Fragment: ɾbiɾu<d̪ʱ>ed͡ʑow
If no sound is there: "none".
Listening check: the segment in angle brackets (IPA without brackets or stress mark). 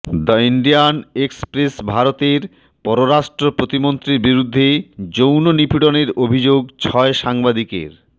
d̪ʱː